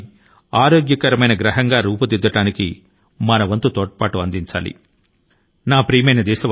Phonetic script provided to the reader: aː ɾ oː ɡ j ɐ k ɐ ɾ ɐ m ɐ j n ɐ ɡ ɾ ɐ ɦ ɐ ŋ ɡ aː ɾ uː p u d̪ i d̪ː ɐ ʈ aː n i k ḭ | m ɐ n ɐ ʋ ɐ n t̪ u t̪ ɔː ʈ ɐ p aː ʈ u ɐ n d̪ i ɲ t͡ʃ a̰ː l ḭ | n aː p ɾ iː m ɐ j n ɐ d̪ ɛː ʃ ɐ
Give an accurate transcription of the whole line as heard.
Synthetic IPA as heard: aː ɾ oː ɡ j ɐ k ɐ ɾ ɐ m ɐ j n ɐ ɡ ɾ ɐ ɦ ɐ ŋ ɡ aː ɾ uː p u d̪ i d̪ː ɐ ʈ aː n i k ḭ | m ɐ n ɐ ʋ ɐ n t̪ u t̪ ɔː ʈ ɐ p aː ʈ u ɐ n d̪ i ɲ t͡ʃ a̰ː l ḭ | n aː p ɾ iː m ɐ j n ɐ d̪ ɛː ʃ ɐ